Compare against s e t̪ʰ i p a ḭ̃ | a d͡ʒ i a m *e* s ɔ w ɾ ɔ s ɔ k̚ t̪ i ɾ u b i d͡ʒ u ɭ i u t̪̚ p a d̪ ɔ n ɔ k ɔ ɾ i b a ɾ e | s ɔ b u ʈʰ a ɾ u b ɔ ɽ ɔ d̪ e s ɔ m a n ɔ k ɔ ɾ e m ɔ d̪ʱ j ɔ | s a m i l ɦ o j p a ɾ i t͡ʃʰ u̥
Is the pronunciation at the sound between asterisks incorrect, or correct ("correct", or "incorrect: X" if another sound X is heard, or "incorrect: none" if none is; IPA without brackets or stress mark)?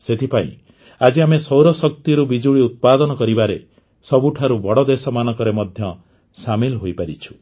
correct